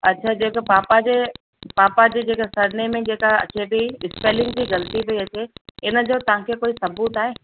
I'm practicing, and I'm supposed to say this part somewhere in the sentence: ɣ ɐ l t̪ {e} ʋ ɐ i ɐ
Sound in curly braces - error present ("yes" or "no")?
yes